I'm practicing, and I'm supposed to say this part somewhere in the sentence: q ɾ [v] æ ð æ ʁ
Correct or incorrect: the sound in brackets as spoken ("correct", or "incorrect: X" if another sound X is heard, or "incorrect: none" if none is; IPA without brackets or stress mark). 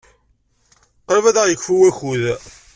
correct